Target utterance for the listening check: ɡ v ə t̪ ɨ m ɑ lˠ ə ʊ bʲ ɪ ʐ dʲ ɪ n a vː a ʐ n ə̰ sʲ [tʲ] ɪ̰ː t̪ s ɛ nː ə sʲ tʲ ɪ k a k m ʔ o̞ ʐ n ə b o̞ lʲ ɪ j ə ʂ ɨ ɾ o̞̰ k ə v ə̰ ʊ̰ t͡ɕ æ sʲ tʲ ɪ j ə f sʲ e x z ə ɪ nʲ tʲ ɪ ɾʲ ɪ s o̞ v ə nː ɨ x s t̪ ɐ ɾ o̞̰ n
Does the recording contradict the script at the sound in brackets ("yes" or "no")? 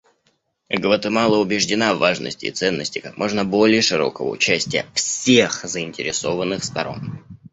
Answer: no